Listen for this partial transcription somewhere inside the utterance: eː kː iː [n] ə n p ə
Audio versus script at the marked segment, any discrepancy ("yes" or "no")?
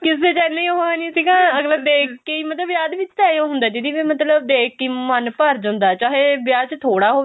yes